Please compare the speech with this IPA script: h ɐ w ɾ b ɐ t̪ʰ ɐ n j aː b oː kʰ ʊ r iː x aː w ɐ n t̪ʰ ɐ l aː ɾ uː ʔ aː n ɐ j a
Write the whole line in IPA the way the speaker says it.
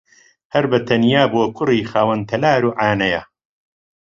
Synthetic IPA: h ɐ ɾ b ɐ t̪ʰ ɐ n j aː b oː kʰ ʊ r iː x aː w ɐ n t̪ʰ ɐ l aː ɾ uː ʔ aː n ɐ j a

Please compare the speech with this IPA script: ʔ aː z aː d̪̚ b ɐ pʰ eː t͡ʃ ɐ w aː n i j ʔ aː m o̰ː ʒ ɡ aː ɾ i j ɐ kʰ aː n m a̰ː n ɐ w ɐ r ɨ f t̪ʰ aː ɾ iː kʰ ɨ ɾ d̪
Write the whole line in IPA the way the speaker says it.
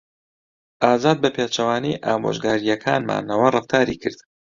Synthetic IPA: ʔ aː z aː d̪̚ b ɐ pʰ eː t͡ʃ ɐ w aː n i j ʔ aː m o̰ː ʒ ɡ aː ɾ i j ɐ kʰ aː n m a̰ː n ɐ w ɐ r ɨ f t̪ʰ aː ɾ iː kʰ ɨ ɾ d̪

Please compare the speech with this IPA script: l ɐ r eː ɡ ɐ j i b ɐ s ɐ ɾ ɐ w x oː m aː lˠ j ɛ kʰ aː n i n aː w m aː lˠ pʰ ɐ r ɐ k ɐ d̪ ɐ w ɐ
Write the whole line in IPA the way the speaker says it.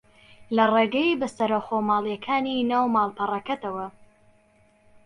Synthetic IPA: l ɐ r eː ɡ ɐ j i b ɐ s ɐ ɾ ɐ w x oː m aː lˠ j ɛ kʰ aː n i n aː w m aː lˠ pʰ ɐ r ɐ k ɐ t̪ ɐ w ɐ

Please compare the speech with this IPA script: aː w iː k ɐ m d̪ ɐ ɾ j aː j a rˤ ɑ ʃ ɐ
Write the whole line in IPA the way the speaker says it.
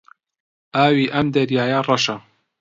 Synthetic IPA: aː w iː ʔ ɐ m d̪ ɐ ɾ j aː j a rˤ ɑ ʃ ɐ

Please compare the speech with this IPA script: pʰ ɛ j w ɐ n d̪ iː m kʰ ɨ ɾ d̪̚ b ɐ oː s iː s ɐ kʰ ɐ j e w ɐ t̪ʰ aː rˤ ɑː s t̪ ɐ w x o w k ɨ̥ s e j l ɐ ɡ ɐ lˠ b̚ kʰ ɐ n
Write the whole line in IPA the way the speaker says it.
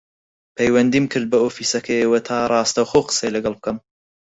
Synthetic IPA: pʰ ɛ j w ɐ n d̪ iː m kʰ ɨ ɾ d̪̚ b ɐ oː f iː s ɐ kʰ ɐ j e w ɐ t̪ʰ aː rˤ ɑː s t̪ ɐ w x o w q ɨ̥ s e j l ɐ ɡ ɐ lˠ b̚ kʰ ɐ m

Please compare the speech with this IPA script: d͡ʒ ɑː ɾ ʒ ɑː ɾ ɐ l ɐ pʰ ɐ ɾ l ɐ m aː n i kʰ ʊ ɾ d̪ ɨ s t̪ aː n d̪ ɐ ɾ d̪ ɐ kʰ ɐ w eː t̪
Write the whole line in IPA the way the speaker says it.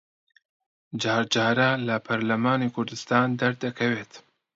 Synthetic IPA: d͡ʒ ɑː ɾ d͡ʒ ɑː ɾ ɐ l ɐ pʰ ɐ ɾ l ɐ m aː n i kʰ ʊ ɾ d̪ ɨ s t̪ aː n d̪ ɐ ɾ d̪ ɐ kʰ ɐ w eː t̪

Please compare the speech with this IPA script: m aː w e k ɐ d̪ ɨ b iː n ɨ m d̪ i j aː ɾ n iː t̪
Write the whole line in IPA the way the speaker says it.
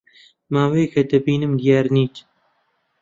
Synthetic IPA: m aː w e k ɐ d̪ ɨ b iː n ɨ m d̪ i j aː ɾ n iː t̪

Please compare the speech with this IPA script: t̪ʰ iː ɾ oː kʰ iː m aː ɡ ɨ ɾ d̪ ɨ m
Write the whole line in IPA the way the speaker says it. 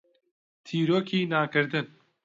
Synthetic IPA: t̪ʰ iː ɾ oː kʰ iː n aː k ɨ ɾ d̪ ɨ n

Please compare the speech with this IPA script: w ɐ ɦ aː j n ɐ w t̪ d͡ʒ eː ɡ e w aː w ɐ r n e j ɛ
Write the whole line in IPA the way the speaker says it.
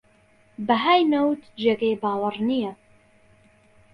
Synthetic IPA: b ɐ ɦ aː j n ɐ w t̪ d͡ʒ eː ɡ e b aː w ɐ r n i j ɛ

